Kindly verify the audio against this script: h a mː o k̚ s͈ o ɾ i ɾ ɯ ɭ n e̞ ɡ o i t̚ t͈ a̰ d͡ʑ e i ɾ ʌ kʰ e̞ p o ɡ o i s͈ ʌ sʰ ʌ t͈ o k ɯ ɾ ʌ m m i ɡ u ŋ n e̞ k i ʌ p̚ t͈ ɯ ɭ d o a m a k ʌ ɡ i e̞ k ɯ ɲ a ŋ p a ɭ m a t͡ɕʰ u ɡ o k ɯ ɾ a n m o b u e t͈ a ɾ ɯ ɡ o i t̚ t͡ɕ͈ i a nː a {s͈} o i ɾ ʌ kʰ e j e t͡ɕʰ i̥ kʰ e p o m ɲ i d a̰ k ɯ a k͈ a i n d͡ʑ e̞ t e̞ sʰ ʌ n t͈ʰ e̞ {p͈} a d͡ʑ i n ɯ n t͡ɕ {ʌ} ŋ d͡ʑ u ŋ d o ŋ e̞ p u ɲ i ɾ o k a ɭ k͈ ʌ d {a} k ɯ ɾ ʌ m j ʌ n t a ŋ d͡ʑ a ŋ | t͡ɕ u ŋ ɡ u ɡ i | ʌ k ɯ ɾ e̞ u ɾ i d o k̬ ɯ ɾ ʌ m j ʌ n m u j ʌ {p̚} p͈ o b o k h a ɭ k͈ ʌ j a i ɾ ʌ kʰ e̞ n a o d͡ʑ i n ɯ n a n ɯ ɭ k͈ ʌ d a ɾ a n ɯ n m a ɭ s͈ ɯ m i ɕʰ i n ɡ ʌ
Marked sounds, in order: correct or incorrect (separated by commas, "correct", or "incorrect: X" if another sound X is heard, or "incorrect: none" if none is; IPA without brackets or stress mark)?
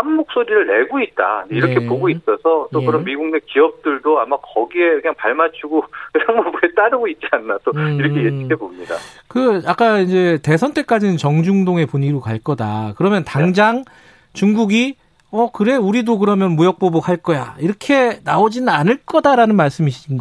incorrect: t͈, incorrect: k͈, correct, correct, incorrect: k̚